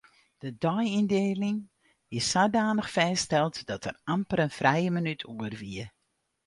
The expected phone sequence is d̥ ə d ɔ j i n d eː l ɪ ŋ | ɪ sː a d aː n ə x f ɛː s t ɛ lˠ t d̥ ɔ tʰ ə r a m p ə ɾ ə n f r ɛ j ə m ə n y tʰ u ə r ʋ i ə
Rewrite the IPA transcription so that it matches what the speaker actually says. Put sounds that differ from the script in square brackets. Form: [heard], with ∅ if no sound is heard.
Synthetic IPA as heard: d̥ ə d ɔ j i n d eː l ɪ ŋ | ɪ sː a d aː n ə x f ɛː s t ɛ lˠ t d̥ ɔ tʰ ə r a m p ə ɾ ə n f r ɛ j ə m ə n y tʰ u ə r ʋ i ə